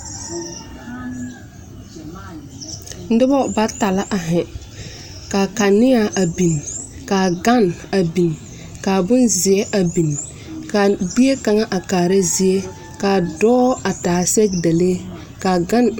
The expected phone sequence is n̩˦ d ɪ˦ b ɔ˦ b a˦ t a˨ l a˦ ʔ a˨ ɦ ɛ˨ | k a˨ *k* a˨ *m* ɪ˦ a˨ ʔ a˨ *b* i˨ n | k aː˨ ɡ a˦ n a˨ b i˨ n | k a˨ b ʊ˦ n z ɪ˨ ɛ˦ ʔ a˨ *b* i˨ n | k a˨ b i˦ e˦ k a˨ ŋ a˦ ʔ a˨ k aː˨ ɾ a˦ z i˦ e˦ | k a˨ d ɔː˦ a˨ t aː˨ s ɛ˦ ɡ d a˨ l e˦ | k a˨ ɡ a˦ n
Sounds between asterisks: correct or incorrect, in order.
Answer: correct, incorrect, correct, correct

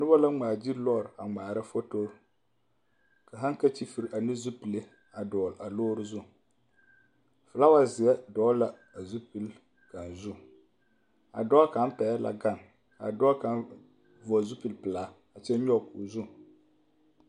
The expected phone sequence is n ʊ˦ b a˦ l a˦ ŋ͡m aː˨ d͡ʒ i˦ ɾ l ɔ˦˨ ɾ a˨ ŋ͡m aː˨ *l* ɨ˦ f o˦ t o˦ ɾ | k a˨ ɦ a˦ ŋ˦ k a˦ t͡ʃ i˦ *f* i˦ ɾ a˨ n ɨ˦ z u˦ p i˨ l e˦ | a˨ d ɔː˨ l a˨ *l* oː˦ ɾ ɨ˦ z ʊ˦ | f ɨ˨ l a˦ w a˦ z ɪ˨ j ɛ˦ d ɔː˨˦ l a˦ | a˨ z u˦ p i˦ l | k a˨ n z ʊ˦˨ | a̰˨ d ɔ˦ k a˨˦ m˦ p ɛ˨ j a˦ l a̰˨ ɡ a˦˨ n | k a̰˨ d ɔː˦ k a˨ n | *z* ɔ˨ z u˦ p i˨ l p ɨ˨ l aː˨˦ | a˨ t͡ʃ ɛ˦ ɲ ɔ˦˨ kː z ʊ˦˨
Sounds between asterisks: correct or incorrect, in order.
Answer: incorrect, correct, correct, incorrect

